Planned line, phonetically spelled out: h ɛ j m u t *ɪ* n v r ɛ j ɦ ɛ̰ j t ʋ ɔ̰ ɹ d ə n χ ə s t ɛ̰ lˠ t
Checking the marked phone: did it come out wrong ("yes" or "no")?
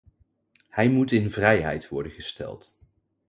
no